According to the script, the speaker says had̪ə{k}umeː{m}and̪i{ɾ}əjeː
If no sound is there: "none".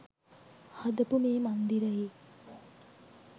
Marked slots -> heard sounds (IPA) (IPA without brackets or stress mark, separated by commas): p, m, ɾ